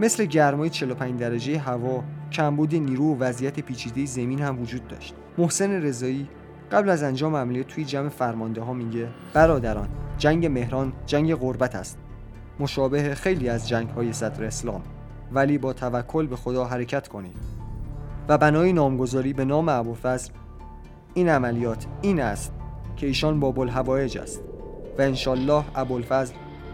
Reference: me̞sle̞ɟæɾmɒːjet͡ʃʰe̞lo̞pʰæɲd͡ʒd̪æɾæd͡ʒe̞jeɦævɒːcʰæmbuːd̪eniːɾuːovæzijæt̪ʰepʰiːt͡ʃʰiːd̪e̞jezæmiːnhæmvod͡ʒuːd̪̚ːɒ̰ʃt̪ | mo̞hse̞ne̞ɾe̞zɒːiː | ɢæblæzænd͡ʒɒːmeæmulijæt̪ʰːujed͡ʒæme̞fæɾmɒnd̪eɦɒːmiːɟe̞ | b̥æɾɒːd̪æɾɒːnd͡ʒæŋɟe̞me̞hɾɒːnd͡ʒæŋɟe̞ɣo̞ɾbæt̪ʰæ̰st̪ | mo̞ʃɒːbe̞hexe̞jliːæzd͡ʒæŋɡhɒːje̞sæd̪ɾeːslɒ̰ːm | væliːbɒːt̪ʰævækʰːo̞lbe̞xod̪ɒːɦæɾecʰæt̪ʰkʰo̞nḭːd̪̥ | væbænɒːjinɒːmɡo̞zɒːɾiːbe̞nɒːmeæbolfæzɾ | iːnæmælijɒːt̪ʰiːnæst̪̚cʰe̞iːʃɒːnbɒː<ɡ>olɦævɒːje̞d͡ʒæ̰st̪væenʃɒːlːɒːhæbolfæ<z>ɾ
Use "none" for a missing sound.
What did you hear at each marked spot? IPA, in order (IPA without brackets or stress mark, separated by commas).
b, z